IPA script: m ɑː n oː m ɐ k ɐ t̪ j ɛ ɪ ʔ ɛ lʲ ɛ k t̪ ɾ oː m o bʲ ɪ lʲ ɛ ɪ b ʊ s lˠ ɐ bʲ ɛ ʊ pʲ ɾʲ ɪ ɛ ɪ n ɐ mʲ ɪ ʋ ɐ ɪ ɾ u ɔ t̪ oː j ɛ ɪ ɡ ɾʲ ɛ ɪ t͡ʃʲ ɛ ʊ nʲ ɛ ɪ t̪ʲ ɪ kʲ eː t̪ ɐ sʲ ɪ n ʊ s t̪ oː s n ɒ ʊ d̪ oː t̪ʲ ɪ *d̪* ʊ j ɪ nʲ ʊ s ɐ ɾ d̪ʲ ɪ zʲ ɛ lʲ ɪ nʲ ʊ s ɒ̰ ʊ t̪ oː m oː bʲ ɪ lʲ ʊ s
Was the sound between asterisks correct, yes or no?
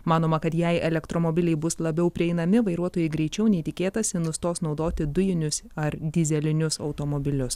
yes